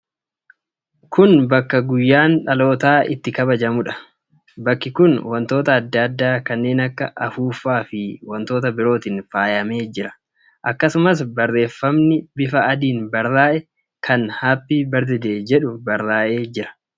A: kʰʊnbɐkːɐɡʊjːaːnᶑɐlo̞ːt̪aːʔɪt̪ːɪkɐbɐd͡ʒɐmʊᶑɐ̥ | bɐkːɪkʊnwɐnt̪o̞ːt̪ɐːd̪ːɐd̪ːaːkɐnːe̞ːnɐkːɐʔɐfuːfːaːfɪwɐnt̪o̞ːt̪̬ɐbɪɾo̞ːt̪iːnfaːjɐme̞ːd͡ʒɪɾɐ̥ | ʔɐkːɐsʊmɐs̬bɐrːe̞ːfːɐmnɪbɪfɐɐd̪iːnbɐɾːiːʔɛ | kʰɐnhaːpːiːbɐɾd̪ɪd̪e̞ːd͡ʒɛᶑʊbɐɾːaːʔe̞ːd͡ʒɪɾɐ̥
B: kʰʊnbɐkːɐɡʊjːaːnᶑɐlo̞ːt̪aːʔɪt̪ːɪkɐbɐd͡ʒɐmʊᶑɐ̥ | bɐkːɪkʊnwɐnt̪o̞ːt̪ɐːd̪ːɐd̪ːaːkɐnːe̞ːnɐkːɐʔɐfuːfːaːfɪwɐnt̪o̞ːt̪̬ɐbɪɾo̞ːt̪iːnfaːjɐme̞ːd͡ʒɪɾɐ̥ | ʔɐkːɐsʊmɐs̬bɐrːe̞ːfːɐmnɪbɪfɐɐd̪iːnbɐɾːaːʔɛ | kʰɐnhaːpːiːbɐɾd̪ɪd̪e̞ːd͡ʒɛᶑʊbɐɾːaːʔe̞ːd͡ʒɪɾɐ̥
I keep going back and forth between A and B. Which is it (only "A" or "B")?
B